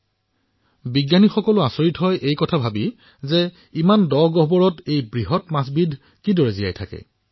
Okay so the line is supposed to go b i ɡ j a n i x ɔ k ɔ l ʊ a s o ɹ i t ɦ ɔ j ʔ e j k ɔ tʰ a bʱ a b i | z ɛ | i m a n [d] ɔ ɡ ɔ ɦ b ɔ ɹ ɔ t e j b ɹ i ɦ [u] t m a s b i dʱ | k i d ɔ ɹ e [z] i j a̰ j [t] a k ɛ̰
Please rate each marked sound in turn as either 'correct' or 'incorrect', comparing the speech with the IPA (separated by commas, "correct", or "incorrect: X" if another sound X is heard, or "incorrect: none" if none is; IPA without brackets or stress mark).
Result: correct, incorrect: ɔ, correct, incorrect: tʰ